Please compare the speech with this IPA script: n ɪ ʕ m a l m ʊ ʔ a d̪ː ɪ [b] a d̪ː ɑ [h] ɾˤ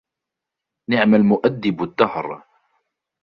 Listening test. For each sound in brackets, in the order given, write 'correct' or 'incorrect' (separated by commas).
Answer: correct, correct